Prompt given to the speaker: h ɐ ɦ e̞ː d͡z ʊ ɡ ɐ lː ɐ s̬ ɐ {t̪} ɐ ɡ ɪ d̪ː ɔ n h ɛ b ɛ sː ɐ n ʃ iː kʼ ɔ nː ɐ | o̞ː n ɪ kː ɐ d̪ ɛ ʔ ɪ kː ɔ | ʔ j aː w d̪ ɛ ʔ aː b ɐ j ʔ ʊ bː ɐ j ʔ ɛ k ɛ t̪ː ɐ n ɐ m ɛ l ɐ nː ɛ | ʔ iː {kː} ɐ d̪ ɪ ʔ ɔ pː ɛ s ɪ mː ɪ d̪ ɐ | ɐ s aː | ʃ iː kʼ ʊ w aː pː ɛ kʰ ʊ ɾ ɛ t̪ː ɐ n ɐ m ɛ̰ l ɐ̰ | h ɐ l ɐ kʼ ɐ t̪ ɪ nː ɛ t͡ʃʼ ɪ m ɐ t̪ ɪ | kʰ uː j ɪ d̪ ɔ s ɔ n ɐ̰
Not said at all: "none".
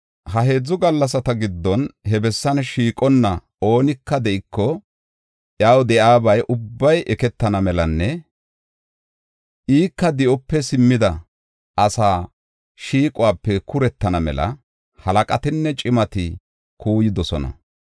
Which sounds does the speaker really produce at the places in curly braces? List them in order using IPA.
t̪, kː

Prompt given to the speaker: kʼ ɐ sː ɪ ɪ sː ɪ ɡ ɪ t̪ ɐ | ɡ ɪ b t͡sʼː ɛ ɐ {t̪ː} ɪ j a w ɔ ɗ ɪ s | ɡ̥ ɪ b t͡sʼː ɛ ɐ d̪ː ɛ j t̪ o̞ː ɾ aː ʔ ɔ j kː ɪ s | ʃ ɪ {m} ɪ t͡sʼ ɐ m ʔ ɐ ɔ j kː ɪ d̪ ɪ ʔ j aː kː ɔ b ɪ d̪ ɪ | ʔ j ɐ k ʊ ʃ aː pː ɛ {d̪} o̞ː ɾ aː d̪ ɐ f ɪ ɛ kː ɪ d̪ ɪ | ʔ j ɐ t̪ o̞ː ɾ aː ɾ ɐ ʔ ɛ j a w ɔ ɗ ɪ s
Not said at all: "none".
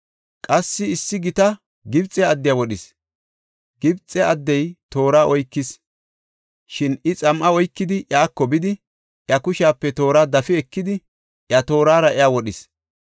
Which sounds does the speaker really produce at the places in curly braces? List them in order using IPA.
d̪ː, n, t̪

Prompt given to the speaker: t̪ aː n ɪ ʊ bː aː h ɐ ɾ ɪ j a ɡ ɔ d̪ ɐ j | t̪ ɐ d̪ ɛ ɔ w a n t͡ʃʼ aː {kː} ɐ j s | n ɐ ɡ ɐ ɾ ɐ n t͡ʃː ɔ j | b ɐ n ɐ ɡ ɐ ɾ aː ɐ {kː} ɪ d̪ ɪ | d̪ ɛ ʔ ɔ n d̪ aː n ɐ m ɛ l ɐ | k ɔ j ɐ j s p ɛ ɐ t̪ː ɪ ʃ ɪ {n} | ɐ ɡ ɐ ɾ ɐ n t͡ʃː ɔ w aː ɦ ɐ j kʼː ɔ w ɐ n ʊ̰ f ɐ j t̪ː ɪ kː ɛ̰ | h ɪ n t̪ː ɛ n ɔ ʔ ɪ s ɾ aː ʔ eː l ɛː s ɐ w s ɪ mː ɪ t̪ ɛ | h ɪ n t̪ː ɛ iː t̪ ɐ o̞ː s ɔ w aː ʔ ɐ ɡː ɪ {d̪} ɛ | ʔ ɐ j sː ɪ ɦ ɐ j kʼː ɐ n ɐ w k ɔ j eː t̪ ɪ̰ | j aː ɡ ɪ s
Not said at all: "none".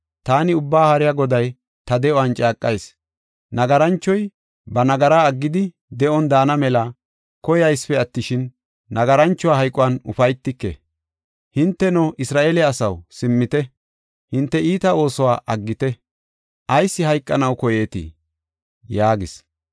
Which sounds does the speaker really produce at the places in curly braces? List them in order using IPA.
kʼː, ɡː, nː, t̪

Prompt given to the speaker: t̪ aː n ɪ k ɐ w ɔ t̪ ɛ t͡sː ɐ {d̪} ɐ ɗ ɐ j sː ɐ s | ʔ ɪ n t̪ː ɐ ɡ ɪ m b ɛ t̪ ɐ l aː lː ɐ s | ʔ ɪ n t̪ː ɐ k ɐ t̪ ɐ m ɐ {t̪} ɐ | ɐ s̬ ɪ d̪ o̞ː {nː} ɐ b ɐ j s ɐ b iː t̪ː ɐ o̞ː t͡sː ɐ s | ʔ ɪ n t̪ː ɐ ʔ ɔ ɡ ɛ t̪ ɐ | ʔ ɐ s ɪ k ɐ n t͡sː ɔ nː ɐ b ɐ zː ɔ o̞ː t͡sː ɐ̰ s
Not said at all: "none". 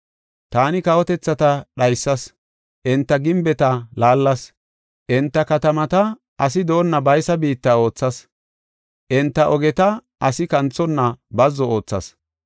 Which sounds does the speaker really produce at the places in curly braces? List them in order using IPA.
t̪, t̪, nː

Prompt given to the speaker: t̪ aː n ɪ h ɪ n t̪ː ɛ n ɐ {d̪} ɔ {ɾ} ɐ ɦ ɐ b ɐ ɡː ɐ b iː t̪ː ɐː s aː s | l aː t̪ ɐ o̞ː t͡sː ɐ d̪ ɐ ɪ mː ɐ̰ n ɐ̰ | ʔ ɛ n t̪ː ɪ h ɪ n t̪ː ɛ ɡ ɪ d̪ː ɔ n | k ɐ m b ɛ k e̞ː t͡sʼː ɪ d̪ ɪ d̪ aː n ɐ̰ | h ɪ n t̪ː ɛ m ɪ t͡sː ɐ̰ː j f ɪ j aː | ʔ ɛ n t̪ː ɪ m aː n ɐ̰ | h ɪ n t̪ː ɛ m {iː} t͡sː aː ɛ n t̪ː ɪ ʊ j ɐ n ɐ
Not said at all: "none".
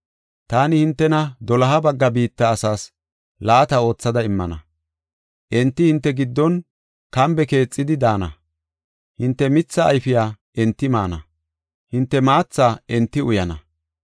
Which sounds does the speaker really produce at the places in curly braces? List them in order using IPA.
d̪, l, aː

